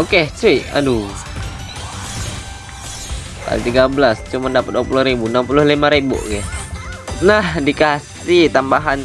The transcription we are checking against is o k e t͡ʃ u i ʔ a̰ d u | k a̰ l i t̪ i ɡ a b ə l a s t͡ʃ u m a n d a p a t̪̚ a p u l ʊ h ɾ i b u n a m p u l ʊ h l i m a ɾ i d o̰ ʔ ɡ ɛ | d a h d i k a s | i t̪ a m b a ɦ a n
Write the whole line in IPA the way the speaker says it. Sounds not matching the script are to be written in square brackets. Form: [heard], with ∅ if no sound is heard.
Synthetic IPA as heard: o k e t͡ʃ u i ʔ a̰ d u | k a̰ l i t̪ i ɡ a b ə l a s t͡ʃ u m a n d a p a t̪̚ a p u l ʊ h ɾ i b u n a m p u l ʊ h l i m a ɾ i [b] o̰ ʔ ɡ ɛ | [n] a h d i k a s | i t̪ a m b a ɦ a n

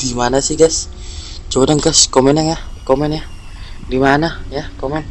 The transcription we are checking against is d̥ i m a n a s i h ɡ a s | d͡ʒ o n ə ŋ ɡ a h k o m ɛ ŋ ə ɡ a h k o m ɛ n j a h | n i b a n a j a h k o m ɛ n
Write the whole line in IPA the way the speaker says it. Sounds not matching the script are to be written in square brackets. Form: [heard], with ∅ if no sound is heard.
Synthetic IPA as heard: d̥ i m a n a s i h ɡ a s | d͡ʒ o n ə ŋ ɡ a [s] k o m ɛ [n] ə [ŋ] a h k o m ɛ n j a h | [d] i [m] a n a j a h k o m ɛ n

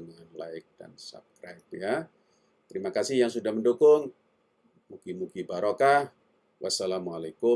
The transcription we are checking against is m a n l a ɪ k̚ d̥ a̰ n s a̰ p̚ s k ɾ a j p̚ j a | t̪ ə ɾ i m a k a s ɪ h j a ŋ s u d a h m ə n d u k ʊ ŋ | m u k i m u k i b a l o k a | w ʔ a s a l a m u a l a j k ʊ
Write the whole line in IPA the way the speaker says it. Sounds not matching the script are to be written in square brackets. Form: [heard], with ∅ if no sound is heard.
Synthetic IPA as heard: [ŋ] a n l a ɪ k̚ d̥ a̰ n s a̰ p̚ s k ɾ a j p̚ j a | t̪ ə ɾ i m a k a s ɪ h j a ŋ s u d a h m ə n d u k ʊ ŋ | m u k i m u k i b a [ɾ] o k a | w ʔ a s a l a m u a l a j k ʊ

